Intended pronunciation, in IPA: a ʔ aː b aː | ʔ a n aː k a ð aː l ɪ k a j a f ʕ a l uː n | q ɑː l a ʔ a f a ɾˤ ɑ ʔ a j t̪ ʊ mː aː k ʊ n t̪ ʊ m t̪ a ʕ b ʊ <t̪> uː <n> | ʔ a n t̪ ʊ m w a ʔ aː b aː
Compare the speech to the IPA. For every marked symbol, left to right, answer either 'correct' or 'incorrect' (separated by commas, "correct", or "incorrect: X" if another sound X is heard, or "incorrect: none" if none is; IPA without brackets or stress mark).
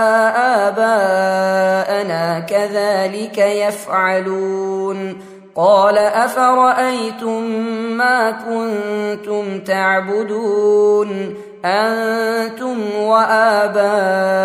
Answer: incorrect: d̪, correct